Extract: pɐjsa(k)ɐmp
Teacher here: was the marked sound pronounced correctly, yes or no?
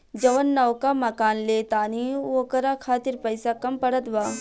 yes